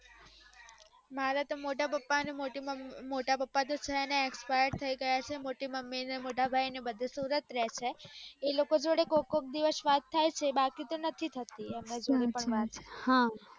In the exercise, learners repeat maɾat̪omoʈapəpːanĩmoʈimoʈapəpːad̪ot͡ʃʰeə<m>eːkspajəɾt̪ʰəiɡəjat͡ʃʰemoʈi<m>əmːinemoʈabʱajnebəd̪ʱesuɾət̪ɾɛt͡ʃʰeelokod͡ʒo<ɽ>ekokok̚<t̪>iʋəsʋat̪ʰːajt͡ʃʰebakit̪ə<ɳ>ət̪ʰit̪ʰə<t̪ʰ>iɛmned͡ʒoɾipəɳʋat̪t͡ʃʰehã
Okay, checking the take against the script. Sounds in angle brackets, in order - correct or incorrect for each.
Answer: incorrect: n, correct, correct, incorrect: d̪, incorrect: n, incorrect: t̪

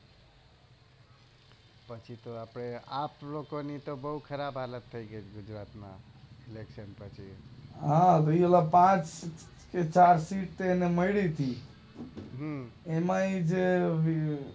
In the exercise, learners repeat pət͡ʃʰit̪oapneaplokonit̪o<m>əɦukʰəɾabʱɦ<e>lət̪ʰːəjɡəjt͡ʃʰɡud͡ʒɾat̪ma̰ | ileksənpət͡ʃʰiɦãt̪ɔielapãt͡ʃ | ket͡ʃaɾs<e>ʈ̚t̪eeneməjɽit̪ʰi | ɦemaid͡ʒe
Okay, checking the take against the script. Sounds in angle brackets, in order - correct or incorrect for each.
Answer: incorrect: b, incorrect: a, incorrect: i

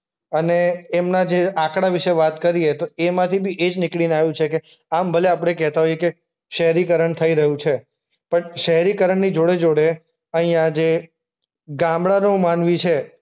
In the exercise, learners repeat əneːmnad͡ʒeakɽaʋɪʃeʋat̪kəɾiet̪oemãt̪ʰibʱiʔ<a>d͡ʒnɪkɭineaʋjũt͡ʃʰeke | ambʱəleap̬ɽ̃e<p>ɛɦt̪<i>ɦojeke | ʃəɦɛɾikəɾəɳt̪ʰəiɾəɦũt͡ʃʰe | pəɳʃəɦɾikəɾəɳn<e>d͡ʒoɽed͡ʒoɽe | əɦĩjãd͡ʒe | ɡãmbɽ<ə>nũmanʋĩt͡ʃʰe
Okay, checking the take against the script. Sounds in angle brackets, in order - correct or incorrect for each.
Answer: incorrect: e, incorrect: k, incorrect: a, incorrect: i, incorrect: a

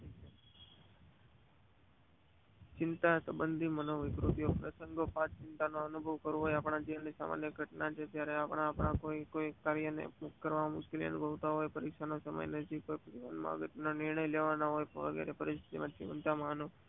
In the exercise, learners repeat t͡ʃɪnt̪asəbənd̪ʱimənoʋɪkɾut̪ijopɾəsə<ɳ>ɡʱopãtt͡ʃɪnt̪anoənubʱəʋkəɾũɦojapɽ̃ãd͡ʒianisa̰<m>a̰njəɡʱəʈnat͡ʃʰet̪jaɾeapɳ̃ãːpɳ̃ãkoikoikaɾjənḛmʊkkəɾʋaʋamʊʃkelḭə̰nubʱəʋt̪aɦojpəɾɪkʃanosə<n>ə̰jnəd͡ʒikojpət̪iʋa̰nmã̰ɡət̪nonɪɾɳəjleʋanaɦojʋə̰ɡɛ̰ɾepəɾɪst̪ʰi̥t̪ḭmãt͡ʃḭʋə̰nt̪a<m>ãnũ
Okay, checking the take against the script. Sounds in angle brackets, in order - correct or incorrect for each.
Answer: incorrect: ŋ, correct, incorrect: m, correct

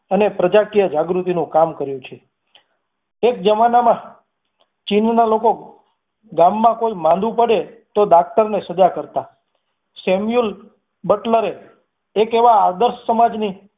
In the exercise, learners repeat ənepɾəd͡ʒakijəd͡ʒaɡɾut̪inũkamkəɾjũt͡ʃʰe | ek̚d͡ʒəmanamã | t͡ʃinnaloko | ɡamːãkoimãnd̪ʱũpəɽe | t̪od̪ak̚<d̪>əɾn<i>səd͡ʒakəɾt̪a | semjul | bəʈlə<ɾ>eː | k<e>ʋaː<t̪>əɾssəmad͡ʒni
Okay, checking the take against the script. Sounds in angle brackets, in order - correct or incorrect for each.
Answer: incorrect: t̪, incorrect: e, correct, correct, incorrect: d̪

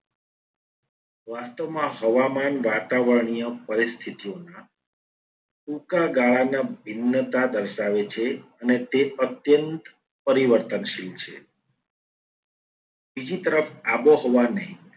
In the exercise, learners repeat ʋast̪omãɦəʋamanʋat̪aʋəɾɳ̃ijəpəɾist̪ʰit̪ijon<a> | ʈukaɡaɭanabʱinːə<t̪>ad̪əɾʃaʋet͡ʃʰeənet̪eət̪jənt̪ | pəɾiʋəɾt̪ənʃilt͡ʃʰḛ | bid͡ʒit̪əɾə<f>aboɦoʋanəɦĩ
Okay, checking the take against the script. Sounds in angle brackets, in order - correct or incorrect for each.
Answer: correct, correct, correct

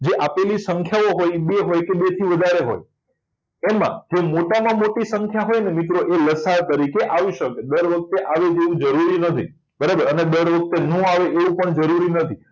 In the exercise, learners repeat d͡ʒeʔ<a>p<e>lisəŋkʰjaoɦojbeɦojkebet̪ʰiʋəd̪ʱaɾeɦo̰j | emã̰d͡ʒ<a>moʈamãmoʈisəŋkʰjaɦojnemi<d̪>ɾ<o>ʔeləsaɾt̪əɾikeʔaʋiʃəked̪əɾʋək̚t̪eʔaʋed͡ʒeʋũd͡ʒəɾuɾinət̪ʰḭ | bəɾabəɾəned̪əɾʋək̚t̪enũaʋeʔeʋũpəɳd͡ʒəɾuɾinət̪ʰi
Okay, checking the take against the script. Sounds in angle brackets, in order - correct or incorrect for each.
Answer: correct, correct, incorrect: e, incorrect: t̪, correct

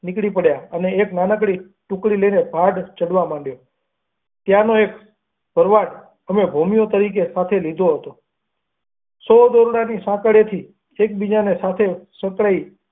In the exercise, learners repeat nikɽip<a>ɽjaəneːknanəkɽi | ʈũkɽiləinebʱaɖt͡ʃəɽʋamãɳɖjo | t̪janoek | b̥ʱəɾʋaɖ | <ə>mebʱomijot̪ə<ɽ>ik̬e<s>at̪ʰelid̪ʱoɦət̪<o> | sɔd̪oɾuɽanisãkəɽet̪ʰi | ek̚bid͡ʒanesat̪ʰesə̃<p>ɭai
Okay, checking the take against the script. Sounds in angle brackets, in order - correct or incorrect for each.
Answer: incorrect: ə, correct, incorrect: ɾ, correct, correct, incorrect: k

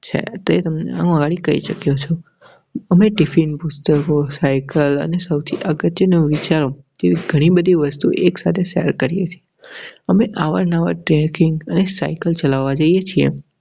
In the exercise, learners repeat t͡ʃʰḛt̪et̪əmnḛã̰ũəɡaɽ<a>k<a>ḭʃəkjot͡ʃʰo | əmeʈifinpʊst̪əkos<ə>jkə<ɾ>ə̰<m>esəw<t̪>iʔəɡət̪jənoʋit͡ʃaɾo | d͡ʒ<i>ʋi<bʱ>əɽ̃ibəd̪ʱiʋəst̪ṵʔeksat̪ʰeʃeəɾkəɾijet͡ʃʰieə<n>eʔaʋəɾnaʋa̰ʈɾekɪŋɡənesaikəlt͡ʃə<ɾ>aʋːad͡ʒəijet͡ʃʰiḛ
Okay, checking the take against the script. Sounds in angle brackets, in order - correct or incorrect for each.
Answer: incorrect: i, incorrect: ə, incorrect: a, incorrect: l, incorrect: n, incorrect: t̪ʰ, incorrect: e, incorrect: ɡʱ, incorrect: m, incorrect: l

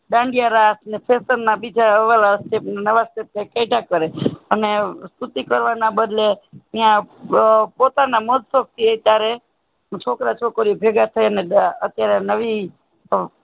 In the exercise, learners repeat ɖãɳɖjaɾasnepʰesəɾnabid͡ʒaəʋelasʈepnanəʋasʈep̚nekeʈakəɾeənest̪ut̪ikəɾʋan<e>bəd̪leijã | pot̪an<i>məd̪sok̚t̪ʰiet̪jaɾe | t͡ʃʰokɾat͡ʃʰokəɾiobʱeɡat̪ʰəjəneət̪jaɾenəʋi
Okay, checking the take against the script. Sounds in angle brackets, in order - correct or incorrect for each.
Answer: incorrect: a, incorrect: a

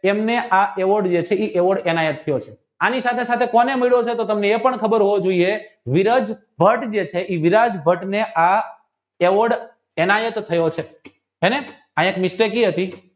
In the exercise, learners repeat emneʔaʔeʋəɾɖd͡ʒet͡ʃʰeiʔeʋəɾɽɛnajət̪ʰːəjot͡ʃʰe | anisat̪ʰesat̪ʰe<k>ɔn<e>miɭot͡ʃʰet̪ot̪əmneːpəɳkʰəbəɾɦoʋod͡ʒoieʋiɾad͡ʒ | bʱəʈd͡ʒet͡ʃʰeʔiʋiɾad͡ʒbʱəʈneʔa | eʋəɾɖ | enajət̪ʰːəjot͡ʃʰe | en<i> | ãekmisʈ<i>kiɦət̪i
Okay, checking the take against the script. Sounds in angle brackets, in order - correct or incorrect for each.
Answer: correct, correct, incorrect: e, incorrect: e

